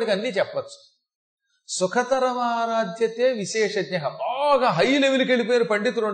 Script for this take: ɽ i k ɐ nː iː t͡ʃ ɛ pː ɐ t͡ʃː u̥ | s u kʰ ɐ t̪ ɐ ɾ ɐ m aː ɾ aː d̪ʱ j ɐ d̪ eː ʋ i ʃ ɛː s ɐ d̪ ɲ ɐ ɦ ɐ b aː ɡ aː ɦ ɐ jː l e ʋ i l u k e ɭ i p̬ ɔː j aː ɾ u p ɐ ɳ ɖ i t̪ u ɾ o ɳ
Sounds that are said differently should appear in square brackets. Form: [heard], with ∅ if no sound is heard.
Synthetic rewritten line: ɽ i k ɐ nː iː t͡ʃ ɛ pː ɐ t͡ʃː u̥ | s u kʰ ɐ t̪ ɐ ɾ ɐ m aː ɾ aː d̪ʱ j ɐ [t̪] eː ʋ i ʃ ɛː [ʂ] ɐ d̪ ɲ ɐ ɦ ɐ b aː ɡ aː ɦ ɐ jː l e ʋ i l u k e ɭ i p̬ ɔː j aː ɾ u p ɐ ɳ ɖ i t̪ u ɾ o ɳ